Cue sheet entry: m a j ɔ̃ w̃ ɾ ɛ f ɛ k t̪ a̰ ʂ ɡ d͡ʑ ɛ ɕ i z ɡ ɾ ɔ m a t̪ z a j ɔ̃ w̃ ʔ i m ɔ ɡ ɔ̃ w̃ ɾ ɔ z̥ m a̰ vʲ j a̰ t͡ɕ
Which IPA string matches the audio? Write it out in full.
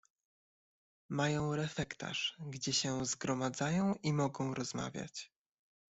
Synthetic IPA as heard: m a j ɔ̃ w̃ ɾ ɛ f ɛ k t̪ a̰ ʂ ɡ d͡ʑ ɛ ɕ ɛ z ɡ ɾ ɔ m a d̪ z a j ɔ̃ w̃ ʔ i m ɔ ɡ ɔ̃ w̃ ɾ ɔ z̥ m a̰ vʲ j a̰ t͡ɕ